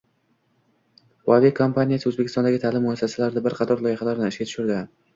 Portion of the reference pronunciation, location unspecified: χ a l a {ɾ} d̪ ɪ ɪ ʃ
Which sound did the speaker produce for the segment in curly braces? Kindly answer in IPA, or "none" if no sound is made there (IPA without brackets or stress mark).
ɾ